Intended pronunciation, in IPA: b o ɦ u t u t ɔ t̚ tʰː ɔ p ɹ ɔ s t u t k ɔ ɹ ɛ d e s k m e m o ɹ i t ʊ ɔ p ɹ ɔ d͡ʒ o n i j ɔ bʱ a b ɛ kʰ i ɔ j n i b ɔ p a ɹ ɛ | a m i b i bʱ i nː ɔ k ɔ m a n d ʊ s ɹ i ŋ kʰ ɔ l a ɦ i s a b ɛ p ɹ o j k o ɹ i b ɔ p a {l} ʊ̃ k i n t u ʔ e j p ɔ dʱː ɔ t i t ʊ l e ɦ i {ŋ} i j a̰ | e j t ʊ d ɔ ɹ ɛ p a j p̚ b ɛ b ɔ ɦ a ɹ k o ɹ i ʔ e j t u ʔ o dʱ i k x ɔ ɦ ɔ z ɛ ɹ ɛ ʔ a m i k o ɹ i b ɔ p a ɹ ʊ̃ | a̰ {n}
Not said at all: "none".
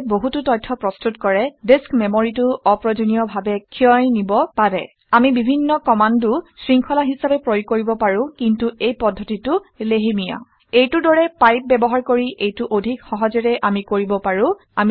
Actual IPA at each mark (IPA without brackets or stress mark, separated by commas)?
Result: ɹ, m, m